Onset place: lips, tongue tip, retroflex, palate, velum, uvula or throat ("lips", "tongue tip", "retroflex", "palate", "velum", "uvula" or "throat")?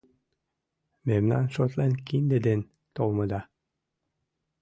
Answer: lips